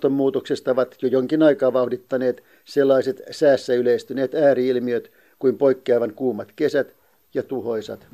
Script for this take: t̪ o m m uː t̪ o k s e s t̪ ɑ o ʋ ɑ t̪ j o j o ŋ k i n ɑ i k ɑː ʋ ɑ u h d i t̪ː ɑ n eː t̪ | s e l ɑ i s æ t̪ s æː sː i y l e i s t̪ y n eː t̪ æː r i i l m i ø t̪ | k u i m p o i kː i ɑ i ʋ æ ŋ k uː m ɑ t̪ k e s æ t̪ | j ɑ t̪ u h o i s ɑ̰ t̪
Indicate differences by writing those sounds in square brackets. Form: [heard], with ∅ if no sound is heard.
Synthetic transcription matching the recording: t̪ o m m uː t̪ o k s e s t̪ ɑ o ʋ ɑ t̪ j o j o ŋ k i n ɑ i k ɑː ʋ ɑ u h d i t̪ː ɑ n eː t̪ | s e [lː] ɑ i s [e] t̪ s æː sː [æ] y l e i s t̪ y n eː t̪ æː r i i l m i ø t̪ | k u i m p o i kː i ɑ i ʋ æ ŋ k uː m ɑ t̪ k e s æ t̪ | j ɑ t̪ u h o i s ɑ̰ t̪